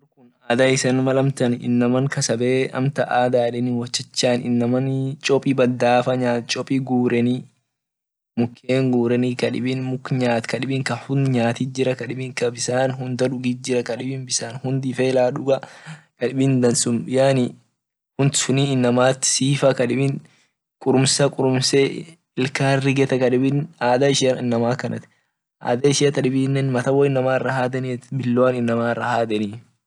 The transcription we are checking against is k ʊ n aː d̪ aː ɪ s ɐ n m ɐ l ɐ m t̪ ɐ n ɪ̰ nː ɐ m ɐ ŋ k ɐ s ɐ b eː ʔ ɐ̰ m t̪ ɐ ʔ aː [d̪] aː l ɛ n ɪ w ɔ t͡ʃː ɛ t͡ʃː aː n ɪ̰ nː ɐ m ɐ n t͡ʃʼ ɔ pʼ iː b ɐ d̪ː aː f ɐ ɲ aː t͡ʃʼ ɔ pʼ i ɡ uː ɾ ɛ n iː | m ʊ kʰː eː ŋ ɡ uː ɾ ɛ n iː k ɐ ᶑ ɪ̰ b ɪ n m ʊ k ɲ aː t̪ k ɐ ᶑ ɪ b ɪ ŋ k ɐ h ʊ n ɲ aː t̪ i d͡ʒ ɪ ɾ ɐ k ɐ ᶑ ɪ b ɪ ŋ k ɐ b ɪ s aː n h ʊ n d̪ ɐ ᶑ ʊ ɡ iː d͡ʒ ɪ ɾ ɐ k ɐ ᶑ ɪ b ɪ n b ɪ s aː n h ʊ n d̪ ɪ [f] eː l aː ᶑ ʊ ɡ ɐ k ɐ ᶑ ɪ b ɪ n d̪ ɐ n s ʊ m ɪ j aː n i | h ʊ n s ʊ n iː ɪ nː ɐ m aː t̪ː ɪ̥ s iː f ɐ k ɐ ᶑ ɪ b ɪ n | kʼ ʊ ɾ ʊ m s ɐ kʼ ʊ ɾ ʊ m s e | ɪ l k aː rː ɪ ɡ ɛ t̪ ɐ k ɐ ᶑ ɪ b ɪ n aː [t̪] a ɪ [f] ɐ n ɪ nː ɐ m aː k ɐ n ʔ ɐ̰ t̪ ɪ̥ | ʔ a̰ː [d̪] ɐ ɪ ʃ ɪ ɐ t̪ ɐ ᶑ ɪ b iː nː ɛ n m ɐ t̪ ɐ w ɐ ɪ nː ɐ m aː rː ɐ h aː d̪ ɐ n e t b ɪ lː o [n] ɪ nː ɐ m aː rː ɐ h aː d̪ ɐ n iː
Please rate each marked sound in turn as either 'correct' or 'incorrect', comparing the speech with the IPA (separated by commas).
correct, correct, incorrect, incorrect, correct, correct